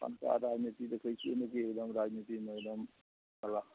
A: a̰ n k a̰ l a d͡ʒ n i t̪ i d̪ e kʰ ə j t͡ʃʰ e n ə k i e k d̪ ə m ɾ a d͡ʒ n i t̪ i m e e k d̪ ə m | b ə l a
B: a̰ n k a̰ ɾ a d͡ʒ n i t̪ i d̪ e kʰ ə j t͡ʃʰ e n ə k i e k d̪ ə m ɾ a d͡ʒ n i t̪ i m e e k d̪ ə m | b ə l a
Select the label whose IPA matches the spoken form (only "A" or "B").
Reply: B